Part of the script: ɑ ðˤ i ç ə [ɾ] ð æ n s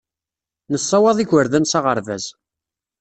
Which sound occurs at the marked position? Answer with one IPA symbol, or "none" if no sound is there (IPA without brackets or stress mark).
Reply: ɾ